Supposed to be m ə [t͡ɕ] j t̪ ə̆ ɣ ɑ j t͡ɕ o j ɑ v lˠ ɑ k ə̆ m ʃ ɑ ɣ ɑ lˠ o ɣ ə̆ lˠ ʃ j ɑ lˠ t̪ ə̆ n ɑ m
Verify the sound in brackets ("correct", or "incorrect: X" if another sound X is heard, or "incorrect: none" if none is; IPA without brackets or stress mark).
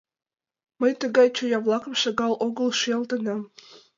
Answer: incorrect: none